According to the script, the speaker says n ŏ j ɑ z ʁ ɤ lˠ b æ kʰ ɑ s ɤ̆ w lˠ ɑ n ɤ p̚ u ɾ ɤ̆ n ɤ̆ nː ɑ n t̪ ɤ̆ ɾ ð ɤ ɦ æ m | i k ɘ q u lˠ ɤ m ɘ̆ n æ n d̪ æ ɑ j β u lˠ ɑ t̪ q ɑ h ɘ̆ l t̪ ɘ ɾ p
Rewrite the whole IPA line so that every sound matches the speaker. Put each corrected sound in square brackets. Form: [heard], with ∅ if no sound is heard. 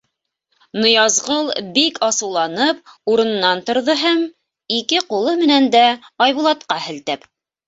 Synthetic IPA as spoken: n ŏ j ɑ z ʁ ɤ lˠ b [i] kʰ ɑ s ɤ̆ w lˠ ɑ n ɤ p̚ u ɾ ɤ̆ n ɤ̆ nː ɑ n t̪ [ŏ] ɾ ð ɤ ɦ æ m | i k ɘ q u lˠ ɤ m ɘ̆ n æ n d̪ æ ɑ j β u lˠ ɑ t̪ q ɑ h ɘ̆ l t̪ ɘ [∅] p

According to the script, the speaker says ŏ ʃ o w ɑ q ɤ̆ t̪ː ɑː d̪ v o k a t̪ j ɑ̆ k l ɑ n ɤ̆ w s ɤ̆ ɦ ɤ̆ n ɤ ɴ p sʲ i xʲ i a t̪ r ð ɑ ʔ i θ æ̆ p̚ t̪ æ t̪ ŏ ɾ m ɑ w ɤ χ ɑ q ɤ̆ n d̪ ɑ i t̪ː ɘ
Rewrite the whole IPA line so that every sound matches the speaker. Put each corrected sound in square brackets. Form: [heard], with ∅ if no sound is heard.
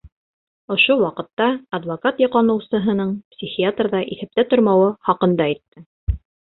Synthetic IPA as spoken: ŏ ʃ o w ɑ q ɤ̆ t̪ː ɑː d̪ v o k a t̪ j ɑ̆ [q] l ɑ n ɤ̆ w s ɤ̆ ɦ ɤ̆ n ɤ ɴ p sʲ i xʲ i a t̪ r ð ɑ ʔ i θ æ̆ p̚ t̪ æ t̪ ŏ ɾ m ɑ w ɤ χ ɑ q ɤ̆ n d̪ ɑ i t̪ː ɘ

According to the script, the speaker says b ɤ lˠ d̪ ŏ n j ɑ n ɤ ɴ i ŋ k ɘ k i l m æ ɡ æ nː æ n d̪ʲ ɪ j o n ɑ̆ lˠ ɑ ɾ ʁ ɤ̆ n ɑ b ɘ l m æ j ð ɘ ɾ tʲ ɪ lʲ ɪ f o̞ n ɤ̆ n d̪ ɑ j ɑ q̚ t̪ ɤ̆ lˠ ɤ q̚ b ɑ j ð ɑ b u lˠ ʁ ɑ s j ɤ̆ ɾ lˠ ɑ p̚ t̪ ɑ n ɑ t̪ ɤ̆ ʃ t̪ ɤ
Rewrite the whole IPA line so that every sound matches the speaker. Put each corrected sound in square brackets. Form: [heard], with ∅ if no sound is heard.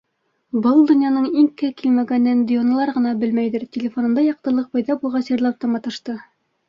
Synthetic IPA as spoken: b ɤ lˠ d̪ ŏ n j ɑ n ɤ ɴ i ŋ k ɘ k i l m æ ɡ æ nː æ n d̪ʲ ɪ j o n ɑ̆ lˠ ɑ ɾ ʁ ɤ̆ n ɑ b ɘ l m æ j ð ɘ ɾ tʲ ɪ lʲ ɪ f o̞ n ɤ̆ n d̪ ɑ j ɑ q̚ t̪ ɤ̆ lˠ ɤ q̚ b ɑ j ð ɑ b u lˠ ʁ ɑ s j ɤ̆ ɾ lˠ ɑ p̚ t̪ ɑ [m] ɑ t̪ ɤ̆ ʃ t̪ ɤ

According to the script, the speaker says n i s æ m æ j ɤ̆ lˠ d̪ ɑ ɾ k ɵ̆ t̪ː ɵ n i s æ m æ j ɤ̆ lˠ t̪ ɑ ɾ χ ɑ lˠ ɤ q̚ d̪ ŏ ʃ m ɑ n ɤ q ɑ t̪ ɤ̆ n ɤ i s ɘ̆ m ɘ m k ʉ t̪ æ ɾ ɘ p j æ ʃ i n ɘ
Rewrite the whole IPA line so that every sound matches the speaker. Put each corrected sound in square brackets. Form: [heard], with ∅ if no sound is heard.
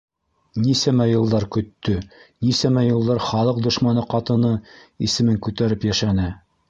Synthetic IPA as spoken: n i s æ m æ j ɤ̆ lˠ d̪ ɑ ɾ k ɵ̆ t̪ː ɵ n i s æ m æ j ɤ̆ lˠ [d̪] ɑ ɾ χ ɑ lˠ ɤ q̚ d̪ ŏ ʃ m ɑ n ɤ q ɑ t̪ ɤ̆ n ɤ i s ɘ̆ m ɘ [ŋ] k ʉ t̪ æ ɾ ɘ p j æ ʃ [æ] n ɘ

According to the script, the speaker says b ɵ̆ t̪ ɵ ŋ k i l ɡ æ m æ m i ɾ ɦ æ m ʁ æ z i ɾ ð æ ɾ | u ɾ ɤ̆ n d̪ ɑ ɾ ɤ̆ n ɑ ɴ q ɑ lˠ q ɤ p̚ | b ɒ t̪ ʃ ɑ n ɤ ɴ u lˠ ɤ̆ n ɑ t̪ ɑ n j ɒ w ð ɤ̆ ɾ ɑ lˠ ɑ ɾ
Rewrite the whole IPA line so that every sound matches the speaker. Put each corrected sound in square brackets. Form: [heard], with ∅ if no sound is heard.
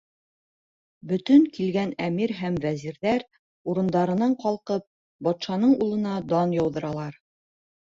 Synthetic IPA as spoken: b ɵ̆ t̪ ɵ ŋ k i l ɡ æ [n] æ m i ɾ ɦ æ m [v] æ z i ɾ ð æ ɾ | u ɾ ɤ̆ n d̪ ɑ ɾ ɤ̆ n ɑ ɴ q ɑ lˠ q ɤ p̚ | b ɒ t̪ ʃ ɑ n ɤ ɴ u lˠ ɤ̆ n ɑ [d̪] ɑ n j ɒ w ð ɤ̆ ɾ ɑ lˠ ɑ ɾ

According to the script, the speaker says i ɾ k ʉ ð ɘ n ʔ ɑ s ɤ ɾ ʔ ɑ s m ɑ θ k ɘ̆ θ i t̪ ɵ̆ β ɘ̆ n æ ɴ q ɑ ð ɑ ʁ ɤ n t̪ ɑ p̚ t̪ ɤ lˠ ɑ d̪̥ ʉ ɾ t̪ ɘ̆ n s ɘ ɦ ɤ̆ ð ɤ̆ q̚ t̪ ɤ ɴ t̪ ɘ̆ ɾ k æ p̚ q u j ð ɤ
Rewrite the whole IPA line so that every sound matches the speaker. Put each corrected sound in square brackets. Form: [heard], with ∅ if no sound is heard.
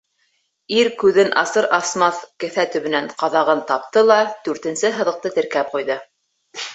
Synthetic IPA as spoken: i ɾ k ʉ ð ɘ n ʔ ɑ s ɤ ɾ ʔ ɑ s m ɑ θ k ɘ̆ θ [æ] t̪ ɵ̆ β ɘ̆ n æ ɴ q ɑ ð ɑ ʁ ɤ n t̪ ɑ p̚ t̪ ɤ lˠ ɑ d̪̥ ʉ ɾ t̪ ɘ̆ n s ɘ ɦ ɤ̆ ð ɤ̆ q̚ t̪ ɤ [∅] t̪ ɘ̆ ɾ k æ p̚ q u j ð ɤ

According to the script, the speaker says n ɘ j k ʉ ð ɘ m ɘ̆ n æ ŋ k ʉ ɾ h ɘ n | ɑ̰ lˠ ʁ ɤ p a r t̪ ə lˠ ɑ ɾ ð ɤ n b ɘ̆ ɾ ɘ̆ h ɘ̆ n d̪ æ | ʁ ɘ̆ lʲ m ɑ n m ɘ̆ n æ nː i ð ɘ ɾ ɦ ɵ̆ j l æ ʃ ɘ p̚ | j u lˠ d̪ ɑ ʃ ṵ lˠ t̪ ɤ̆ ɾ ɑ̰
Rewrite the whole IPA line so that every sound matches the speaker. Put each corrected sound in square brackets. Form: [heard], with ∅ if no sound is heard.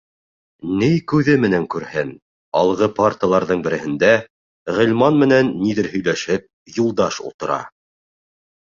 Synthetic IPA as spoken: n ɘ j k ʉ ð ɘ m ɘ̆ n æ ŋ k ʉ ɾ h ɘ n | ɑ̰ lˠ ʁ ɤ p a r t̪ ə lˠ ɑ ɾ ð ɤ [ɴ] b ɘ̆ ɾ ɘ̆ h ɘ̆ n d̪ æ | ʁ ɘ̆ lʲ m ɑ n m ɘ̆ n æ nː i ð ɘ ɾ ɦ ɵ̆ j l æ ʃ ɘ p̚ | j u lˠ d̪ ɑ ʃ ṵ lˠ t̪ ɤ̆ ɾ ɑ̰

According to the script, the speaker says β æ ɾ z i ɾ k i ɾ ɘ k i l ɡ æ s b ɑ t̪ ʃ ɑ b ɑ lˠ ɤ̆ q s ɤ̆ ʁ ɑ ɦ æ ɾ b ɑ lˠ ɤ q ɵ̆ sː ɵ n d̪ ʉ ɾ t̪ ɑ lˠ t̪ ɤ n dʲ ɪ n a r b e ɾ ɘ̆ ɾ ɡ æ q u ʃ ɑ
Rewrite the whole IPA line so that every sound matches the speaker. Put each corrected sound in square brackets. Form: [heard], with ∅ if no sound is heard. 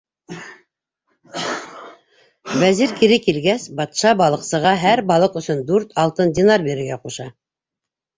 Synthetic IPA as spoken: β æ [∅] z i ɾ k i ɾ ɘ k i l ɡ æ s b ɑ t̪ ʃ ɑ b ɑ lˠ ɤ̆ q s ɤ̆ ʁ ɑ ɦ æ ɾ b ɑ lˠ ɤ q ɵ̆ [s] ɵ n d̪ ʉ ɾ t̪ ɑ lˠ t̪ ɤ n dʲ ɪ n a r b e ɾ ɘ̆ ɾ ɡ æ q u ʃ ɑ

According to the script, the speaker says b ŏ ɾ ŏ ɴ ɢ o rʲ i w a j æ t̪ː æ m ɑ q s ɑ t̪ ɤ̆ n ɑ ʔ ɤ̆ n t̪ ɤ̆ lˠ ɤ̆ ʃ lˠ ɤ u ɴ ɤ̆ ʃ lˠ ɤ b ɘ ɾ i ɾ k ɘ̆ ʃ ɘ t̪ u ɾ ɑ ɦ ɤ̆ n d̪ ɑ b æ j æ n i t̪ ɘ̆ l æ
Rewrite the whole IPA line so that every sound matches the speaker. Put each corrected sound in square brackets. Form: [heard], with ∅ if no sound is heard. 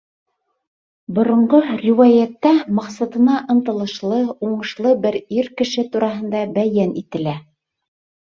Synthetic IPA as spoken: b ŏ ɾ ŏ ɴ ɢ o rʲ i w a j æ t̪ː æ m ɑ q s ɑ t̪ ɤ̆ n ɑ ʔ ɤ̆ n t̪ ɤ̆ lˠ ɤ̆ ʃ lˠ ɤ u ɴ ɤ̆ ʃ lˠ ɤ b ɘ ɾ i ɾ k ɘ̆ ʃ ɘ t̪ u ɾ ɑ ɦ ɤ̆ n d̪ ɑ b æ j æ n i t̪ ɘ̆ l æ

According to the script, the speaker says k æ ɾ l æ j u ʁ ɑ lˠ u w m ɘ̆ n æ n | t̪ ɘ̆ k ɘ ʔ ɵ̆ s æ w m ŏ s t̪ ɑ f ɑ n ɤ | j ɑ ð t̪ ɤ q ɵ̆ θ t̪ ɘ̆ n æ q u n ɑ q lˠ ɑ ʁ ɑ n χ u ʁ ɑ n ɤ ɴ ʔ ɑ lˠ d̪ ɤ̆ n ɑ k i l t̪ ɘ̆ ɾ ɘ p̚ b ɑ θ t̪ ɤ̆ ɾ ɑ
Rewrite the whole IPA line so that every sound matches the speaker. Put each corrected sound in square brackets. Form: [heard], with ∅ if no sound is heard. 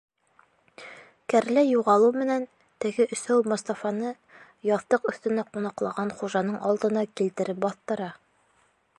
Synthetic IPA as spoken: k æ ɾ l æ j u ʁ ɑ lˠ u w m ɘ̆ n æ n | t̪ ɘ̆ [ɡ] ɘ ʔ ɵ̆ s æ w m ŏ s t̪ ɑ f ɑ n ɤ | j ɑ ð t̪ ɤ q ɵ̆ θ t̪ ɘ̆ n æ q u n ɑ q lˠ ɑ ʁ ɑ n χ u [ʒ] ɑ n ɤ ɴ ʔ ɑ lˠ d̪ ɤ̆ n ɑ k i l t̪ ɘ̆ ɾ ɘ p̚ b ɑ θ t̪ ɤ̆ ɾ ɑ

